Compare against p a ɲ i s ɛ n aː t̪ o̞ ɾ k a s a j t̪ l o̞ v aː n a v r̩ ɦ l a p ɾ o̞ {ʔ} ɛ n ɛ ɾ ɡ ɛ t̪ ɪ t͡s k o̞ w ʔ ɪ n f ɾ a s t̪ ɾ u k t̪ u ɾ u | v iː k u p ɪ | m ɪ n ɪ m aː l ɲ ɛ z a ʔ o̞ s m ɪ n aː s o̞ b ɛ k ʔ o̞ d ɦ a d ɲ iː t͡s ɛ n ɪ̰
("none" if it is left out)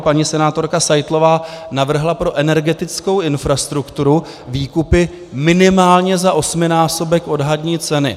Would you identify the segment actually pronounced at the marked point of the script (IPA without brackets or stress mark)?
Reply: ʔ